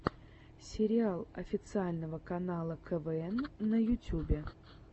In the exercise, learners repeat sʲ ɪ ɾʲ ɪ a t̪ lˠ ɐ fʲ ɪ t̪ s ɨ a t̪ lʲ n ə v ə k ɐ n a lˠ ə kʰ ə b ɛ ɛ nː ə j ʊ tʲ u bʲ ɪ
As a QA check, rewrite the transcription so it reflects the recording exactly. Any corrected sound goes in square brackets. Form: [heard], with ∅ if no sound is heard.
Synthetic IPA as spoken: sʲ ɪ ɾʲ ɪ a [∅] lˠ ɐ fʲ ɪ t̪ s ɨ a [∅] lʲ n ə v ə k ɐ n a lˠ ə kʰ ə [v] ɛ ɛ nː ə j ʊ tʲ u bʲ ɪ